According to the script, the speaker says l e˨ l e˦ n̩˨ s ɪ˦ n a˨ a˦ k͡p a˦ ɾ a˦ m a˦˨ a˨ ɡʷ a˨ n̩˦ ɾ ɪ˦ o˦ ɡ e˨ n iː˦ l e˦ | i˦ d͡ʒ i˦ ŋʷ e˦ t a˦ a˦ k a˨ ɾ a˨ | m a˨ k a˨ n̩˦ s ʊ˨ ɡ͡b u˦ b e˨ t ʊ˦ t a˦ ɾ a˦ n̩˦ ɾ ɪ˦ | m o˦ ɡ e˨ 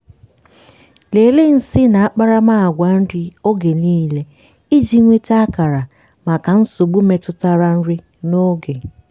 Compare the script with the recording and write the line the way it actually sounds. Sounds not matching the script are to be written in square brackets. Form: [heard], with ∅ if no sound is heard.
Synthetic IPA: l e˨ l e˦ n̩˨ s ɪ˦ n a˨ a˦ k͡p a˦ ɾ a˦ m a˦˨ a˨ ɡʷ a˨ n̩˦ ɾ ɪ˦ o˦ ɡ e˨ n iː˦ l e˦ | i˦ d͡ʒ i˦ ŋʷ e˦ t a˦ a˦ k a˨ ɾ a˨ | m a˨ k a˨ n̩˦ s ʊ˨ ɡ͡b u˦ [m] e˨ t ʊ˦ t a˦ ɾ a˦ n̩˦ ɾ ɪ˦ | [n] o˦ ɡ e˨